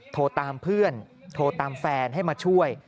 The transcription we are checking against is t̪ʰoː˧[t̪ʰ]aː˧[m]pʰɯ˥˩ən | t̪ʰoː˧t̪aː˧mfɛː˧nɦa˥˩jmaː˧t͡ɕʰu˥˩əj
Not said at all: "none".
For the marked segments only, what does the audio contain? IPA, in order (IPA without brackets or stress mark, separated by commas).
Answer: t̪, m